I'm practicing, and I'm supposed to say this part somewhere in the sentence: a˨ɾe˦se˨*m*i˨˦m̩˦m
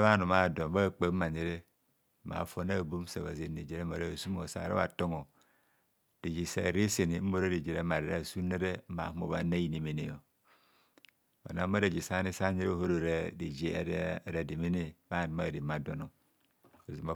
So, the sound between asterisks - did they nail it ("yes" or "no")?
no